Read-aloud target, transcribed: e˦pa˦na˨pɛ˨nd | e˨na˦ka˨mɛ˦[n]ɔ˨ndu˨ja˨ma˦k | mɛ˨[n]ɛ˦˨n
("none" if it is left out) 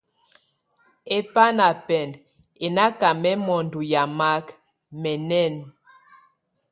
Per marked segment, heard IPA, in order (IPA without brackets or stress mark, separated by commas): m, n